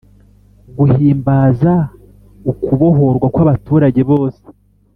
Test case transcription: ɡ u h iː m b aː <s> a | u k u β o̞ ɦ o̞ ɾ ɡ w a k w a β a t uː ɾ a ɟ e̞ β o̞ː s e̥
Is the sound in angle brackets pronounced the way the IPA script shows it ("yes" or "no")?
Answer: no